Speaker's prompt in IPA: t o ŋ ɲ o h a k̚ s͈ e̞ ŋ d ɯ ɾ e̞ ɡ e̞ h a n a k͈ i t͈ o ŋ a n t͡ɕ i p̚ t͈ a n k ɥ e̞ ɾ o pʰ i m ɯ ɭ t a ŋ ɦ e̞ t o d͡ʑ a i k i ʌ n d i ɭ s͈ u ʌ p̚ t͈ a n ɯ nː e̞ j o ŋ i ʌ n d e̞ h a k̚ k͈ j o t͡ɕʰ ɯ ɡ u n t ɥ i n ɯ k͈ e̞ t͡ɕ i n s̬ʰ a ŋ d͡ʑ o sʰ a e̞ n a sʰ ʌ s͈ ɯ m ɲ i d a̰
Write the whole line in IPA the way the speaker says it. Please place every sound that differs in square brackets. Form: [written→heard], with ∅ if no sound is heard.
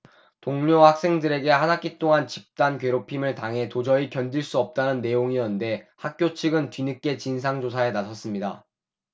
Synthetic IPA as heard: t o ŋ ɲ o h a k̚ s͈ e̞ ŋ d ɯ ɾ e̞ ɡ e̞ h a n a k͈ i t͈ o ŋ a n t͡ɕ i p̚ t͈ a n k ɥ e̞ ɾ o pʰ i m ɯ ɭ t a ŋ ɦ e̞ t o d͡ʑ [a→ʌ] i k [i→j] ʌ n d i ɭ s͈ u ʌ p̚ t͈ a n ɯ nː e̞ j o ŋ i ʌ n d e̞ h a k̚ k͈ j o t͡ɕʰ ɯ ɡ [u→ɯ] n t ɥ i n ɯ k͈ e̞ t͡ɕ i n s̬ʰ a ŋ d͡ʑ o sʰ a e̞ n a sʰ ʌ s͈ ɯ m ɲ i d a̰

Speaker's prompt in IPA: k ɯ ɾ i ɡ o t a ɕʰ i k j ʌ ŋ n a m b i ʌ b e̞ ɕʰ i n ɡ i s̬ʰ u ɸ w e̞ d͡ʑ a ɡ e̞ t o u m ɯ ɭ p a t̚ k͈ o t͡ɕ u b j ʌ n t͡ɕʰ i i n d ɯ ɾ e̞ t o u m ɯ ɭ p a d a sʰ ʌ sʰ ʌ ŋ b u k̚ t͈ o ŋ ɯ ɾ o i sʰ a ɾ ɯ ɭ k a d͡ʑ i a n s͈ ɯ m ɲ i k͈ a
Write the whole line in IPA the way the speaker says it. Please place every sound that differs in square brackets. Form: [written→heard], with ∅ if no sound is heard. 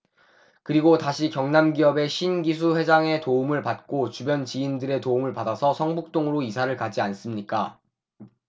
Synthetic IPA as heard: k ɯ ɾ i ɡ o t a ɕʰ i k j ʌ ŋ n a m [b→ɡ] i ʌ b e̞ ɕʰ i n ɡ i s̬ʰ u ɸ w e̞ d͡ʑ a [ɡ→ŋ] e̞ t o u m ɯ ɭ p a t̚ k͈ o t͡ɕ u b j ʌ n [t͡ɕʰ→t͡ɕ] i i n d ɯ ɾ e̞ t o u m ɯ ɭ p a d a sʰ ʌ sʰ ʌ ŋ b u k̚ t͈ o ŋ ɯ ɾ o i sʰ a ɾ ɯ ɭ k a d͡ʑ i a n s͈ ɯ m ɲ i k͈ a

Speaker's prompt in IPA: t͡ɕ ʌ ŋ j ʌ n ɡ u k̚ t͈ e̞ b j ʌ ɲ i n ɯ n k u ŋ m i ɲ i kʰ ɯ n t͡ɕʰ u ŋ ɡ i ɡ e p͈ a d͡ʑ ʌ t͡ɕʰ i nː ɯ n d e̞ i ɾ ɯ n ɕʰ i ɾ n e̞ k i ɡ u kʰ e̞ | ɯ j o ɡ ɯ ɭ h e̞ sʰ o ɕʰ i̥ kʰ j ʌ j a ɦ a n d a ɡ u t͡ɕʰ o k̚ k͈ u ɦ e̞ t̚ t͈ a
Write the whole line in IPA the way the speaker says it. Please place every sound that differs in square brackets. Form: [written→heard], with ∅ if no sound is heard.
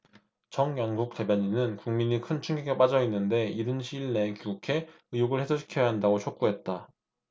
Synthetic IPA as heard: t͡ɕ ʌ ŋ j ʌ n ɡ u k̚ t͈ e̞ b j ʌ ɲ i n ɯ n k u ŋ m i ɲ i kʰ ɯ n t͡ɕʰ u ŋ ɡ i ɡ e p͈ a d͡ʑ ʌ [t͡ɕʰ→∅] i nː ɯ n d e̞ i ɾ ɯ n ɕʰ i [ɾ→ɭ] n e̞ k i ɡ u kʰ e̞ | ɯ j o ɡ ɯ ɭ h e̞ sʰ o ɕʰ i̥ kʰ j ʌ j a ɦ a n d a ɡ [u→o] t͡ɕʰ o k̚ k͈ u ɦ e̞ t̚ t͈ a

